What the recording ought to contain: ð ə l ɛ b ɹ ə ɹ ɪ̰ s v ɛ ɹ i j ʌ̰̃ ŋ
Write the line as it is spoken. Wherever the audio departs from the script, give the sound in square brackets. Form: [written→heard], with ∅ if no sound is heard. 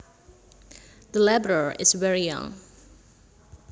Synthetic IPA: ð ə l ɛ b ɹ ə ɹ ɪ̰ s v ɛ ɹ i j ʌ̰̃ ŋ